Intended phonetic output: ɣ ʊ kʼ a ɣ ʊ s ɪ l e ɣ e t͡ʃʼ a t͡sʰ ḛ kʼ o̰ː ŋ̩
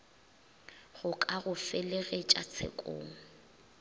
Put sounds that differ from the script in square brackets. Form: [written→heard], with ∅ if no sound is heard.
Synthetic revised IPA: ɣ ʊ kʼ a ɣ ʊ [s→f] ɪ l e ɣ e t͡ʃʼ a t͡sʰ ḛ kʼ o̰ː ŋ̩